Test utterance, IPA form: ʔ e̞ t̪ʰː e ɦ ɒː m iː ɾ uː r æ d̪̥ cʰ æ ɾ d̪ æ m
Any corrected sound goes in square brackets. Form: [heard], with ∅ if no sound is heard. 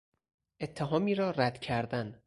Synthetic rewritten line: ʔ e̞ t̪ʰː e ɦ ɒː m iː ɾ [ɒː] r æ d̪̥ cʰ æ ɾ d̪ æ [n]